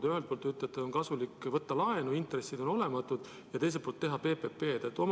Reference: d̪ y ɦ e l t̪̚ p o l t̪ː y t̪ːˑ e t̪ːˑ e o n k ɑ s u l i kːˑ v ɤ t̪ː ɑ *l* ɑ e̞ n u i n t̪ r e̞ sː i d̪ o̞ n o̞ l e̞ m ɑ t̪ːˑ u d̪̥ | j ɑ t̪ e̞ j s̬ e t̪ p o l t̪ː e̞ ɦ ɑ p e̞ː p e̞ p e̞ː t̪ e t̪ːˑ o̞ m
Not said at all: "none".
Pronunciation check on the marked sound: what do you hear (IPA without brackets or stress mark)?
l